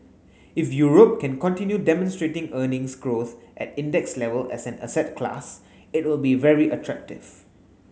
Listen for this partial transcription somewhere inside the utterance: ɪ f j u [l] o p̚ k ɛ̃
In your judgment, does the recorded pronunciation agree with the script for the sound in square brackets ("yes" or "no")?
no